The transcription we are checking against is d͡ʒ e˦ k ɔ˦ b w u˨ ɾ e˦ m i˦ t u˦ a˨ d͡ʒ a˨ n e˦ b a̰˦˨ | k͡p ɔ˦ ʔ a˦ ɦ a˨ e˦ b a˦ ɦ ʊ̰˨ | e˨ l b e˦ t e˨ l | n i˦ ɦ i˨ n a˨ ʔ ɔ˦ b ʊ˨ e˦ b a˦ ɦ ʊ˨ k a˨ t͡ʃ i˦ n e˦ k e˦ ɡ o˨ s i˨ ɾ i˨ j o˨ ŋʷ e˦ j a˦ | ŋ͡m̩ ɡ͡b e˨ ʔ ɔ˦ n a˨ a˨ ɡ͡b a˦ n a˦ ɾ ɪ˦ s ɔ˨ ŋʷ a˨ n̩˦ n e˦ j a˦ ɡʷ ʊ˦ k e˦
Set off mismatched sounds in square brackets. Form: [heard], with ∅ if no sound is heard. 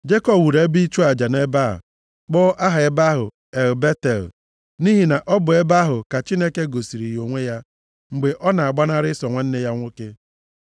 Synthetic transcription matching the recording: d͡ʒ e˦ k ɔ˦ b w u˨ ɾ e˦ [b] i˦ [t͡ʃ] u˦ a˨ d͡ʒ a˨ n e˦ b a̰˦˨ | k͡p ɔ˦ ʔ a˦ ɦ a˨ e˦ b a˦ ɦ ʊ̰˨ | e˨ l b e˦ t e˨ l | n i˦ ɦ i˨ n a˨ ʔ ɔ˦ b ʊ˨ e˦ b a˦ ɦ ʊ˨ k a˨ t͡ʃ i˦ n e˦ k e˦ ɡ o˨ s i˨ ɾ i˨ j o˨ ŋʷ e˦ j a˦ | ŋ͡m̩ ɡ͡b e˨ ʔ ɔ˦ n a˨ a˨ ɡ͡b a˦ n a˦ ɾ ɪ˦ s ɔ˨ ŋʷ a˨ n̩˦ n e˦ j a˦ [ŋʷ] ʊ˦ k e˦